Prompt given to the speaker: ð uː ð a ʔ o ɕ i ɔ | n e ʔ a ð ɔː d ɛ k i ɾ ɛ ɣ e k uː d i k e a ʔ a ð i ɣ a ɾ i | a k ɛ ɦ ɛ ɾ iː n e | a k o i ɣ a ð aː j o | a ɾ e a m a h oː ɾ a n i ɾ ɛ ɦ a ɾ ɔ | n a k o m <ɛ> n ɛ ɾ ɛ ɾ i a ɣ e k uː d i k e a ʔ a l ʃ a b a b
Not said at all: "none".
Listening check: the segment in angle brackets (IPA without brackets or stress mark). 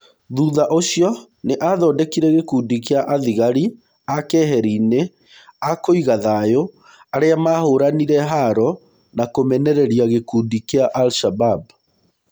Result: ɛ